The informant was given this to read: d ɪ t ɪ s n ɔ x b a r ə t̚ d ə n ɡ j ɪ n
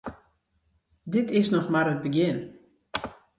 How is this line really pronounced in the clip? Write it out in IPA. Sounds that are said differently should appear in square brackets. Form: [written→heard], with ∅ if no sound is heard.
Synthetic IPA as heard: d ɪ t ɪ s n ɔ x [b→m] a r ə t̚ [d→b] ə [n→∅] ɡ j ɪ n